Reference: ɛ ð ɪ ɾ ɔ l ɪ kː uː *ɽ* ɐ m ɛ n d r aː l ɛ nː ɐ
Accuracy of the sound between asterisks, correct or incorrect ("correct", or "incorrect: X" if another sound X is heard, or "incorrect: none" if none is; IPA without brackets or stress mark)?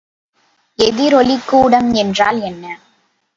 correct